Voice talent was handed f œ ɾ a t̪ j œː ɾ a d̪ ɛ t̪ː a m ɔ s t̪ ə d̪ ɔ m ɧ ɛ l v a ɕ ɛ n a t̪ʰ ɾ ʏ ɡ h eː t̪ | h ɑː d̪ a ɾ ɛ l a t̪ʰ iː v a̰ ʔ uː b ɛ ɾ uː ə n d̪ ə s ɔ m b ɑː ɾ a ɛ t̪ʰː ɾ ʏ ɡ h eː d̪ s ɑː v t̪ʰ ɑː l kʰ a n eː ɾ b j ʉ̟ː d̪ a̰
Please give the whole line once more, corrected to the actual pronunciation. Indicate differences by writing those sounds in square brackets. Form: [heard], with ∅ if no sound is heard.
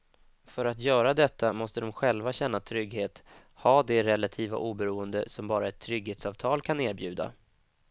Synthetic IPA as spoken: f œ ɾ a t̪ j œː ɾ a d̪ ɛ t̪ː a m ɔ s t̪ ə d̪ ɔ m ɧ ɛ l v a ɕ ɛ [nː] a t̪ʰ ɾ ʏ ɡ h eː t̪ | h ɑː d̪ [ɛ] ɾ ɛ l a t̪ʰ iː v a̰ ʔ uː b ɛ ɾ uː ə n d̪ ə s ɔ m b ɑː ɾ a ɛ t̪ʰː ɾ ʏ ɡ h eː [t̪] s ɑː v t̪ʰ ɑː l kʰ a n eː ɾ b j ʉ̟ː d̪ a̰

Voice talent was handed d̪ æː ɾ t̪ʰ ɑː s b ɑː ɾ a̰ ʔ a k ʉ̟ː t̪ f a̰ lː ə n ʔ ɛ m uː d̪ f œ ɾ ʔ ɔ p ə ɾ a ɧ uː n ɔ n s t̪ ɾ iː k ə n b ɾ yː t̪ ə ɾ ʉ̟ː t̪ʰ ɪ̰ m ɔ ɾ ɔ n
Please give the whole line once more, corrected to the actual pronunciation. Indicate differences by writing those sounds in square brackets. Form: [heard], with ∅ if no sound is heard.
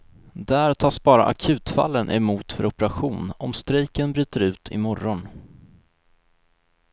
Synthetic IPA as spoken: d̪ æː ɾ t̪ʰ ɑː s b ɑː ɾ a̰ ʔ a [kʰ] ʉ̟ː t̪ f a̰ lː ə n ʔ ɛ m uː [t̪] f œ ɾ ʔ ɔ p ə ɾ a ɧ uː n ɔ [m] s t̪ ɾ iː k ə n b ɾ yː t̪ ə ɾ ʉ̟ː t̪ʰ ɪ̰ m ɔ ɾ ɔ n

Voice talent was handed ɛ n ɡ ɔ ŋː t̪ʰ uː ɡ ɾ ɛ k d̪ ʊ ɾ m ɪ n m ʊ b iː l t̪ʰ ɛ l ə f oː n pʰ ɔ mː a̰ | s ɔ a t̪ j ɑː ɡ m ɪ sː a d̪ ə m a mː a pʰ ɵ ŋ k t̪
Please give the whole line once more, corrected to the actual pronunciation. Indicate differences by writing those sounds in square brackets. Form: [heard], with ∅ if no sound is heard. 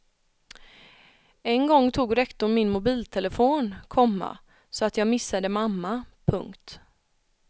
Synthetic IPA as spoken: ɛ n ɡ ɔ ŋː t̪ʰ uː ɡ ɾ ɛ k [t̪] ʊ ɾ m ɪ n m ʊ b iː l t̪ʰ ɛ l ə f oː n [kʰ] ɔ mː a̰ | s ɔ a t̪ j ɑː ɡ m ɪ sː a d̪ ə m a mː a pʰ ɵ ŋ k t̪

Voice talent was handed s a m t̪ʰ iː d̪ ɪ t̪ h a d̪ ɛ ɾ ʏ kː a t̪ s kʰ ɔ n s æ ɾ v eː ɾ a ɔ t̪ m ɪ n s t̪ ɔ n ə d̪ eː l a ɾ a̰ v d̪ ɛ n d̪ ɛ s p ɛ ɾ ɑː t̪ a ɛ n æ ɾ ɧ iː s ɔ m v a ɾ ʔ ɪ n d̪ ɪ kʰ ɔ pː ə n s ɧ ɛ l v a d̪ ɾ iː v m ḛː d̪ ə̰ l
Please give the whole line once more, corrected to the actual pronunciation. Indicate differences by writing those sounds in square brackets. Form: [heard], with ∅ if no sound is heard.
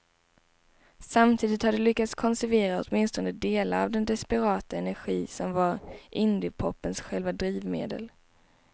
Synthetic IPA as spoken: s a m t̪ʰ iː d̪ ɪ t̪ h a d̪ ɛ [l] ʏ kː a t̪ s kʰ ɔ n s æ ɾ v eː ɾ a ɔ t̪ m ɪ n s t̪ ɔ n ə d̪ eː l a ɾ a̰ v d̪ ɛ n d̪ ɛ s p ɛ ɾ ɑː t̪ a ɛ n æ ɾ ɧ iː s ɔ m v a ɾ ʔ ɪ n d̪ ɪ [pʰ] ɔ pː ə n s ɧ ɛ l v a d̪ ɾ iː v m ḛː d̪ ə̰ l

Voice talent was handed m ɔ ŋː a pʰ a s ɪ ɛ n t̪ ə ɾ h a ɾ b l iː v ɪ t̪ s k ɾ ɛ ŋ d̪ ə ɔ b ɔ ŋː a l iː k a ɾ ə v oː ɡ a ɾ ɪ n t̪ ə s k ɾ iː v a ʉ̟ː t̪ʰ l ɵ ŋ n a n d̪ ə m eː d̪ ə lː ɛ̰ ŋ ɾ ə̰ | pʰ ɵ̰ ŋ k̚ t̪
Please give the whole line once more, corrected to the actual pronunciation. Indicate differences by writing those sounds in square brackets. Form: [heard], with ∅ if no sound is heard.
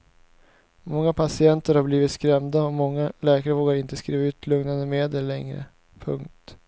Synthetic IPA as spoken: m ɔ ŋː a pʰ a s ɪ ɛ n t̪ ə ɾ h a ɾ b l iː v ɪ t̪ s k ɾ ɛ [m] d̪ [a] ɔ [m] ɔ ŋː a l [ɛː] k a ɾ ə v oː ɡ a ɾ ɪ n t̪ ə s k ɾ iː v a ʉ̟ː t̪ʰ l ɵ ŋ n a n d̪ ə m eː d̪ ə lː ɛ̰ ŋ ɾ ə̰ | pʰ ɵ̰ ŋ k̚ t̪

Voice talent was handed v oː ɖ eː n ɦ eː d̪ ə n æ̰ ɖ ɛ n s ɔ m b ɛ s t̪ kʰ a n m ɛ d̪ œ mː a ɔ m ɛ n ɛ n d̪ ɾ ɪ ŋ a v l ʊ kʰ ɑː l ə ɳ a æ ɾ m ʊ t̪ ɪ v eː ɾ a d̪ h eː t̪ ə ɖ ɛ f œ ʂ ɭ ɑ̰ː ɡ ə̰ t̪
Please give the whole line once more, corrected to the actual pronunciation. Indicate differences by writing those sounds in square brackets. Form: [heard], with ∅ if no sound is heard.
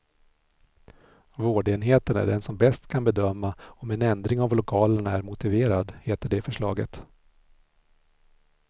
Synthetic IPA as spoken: v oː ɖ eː n ɦ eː [t̪] ə n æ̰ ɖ ɛ n s ɔ m b ɛ s t̪ kʰ a n [b] ɛ d̪ œ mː a ɔ m ɛ n ɛ n d̪ ɾ ɪ ŋ a v l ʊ kʰ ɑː l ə ɳ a æ ɾ m ʊ t̪ ɪ v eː ɾ a d̪ h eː t̪ ə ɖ ɛ f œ ʂ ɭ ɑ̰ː ɡ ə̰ t̪

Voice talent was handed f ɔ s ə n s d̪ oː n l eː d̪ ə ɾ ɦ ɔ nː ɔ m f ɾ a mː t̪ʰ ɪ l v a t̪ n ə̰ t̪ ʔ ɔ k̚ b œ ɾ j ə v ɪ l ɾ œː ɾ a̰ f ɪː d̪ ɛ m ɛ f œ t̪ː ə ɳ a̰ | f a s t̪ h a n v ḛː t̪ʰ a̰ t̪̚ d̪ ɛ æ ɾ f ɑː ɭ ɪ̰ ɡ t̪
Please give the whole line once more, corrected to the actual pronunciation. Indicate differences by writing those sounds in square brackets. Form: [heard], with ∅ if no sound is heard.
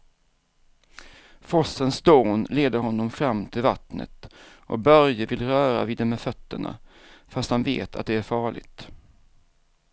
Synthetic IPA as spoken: f ɔ s ə n s d̪ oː n l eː d̪ ə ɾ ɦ ɔ nː ɔ m f ɾ a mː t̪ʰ ɪ l v a t̪ n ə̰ t̪ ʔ ɔ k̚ b œ ɾ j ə v ɪ l ɾ œː ɾ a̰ [v] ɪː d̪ ɛ m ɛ f œ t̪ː ə ɳ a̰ | f a s t̪ h a n v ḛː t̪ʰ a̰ t̪̚ d̪ ɛ æ ɾ f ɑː ɭ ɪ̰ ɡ t̪

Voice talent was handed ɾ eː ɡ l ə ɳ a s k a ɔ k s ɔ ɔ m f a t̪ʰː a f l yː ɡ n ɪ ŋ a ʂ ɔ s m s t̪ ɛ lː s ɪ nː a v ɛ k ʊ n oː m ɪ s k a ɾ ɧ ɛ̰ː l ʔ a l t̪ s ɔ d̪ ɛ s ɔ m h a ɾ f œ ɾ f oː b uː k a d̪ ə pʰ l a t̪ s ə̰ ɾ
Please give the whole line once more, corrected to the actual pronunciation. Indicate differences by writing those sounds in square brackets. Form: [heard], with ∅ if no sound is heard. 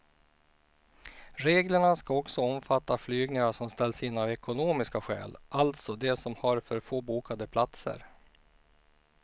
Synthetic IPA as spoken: ɾ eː ɡ l ə ɳ a s k a ɔ k s ɔ ɔ m f a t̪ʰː a f l yː ɡ n ɪ ŋ a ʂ ɔ [∅] m s t̪ ɛ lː s ɪ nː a v ɛ k ʊ n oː m ɪ s k a [∅] ɧ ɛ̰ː l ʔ a l t̪ s ɔ d̪ ɛ s ɔ m h a ɾ f œ ɾ f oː b uː k a d̪ ə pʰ l a t̪ s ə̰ ɾ

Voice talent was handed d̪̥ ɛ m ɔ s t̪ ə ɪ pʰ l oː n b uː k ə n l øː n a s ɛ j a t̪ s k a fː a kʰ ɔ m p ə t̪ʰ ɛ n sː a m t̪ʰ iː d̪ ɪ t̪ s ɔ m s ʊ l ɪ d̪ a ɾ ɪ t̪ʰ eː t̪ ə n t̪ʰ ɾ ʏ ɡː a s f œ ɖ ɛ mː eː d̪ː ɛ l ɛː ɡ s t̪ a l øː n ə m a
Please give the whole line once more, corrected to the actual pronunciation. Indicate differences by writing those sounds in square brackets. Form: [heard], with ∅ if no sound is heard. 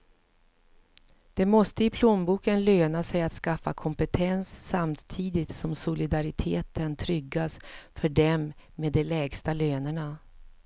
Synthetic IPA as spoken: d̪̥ ɛ m ɔ s t̪ ə ɪ pʰ l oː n b uː k ə n l øː n a s ɛ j a t̪ s k a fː a kʰ ɔ m p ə t̪ʰ ɛ n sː a m t̪ʰ iː d̪ ɪ t̪ s ɔ m s ʊ l ɪ d̪ a ɾ ɪ t̪ʰ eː t̪ ə n t̪ʰ ɾ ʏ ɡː a s f œ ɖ ɛ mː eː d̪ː ɛ l ɛː ɡ s t̪ a l øː n ə [ɳ] a

